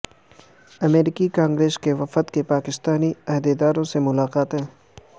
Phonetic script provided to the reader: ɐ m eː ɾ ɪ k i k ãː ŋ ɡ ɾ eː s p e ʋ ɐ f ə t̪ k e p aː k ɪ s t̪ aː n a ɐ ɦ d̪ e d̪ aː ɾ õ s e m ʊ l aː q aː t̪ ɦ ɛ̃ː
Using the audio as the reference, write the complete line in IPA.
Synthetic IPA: ɐ m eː ɾ ɪ k i k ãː ŋ ɡ ɾ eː s k e ʋ ɐ f ə t̪ k e p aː k ɪ s t̪ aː n i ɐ ɦ d̪ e d̪ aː ɾ õ s e m ʊ l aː q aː t̪ ɦ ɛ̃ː